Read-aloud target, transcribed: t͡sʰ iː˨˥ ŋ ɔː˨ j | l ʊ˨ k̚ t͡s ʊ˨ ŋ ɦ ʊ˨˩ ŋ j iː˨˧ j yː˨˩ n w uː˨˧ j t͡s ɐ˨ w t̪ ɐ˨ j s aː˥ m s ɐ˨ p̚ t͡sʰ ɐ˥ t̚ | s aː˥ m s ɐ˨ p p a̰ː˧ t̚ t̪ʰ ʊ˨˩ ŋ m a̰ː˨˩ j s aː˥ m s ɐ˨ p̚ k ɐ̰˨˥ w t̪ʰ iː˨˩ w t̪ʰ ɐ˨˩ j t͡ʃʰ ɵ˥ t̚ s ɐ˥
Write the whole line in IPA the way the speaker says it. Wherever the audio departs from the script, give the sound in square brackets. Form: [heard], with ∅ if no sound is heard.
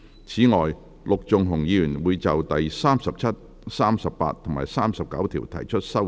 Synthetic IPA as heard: t͡sʰ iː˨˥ ŋ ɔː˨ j | l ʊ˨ k̚ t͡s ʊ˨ ŋ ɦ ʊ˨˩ ŋ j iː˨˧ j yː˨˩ n w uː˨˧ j t͡s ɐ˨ w t̪ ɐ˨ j s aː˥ m s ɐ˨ p̚ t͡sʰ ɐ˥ t̚ | s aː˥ m s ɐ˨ p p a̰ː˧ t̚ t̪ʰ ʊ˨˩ ŋ m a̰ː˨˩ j s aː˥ m s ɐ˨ p̚ k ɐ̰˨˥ w t̪ʰ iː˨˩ w t̪ʰ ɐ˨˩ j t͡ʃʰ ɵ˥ t̚ s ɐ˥